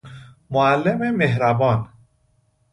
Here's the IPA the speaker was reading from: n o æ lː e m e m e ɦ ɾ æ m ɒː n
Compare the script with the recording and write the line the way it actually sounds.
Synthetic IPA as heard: m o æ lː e m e m e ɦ ɾ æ b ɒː n